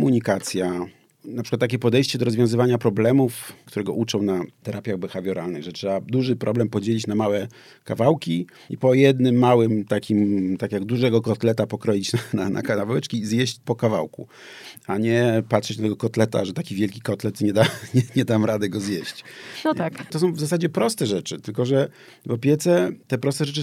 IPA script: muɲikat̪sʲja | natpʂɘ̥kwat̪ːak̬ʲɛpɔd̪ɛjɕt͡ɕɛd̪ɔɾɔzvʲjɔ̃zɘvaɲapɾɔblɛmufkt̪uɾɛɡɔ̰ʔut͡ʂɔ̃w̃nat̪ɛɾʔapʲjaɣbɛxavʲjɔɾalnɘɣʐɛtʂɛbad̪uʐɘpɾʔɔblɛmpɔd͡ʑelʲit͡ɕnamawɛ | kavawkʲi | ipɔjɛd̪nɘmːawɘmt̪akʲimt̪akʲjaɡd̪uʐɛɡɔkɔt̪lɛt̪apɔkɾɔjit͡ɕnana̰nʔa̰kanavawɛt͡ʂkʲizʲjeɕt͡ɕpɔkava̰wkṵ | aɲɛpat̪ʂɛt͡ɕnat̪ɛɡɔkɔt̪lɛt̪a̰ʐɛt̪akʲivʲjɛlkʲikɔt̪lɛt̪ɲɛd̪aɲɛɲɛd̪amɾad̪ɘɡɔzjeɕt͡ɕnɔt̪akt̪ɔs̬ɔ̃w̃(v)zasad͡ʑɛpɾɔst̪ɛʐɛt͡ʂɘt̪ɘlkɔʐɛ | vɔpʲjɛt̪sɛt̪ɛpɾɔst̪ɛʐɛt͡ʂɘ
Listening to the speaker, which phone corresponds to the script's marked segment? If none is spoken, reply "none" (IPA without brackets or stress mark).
v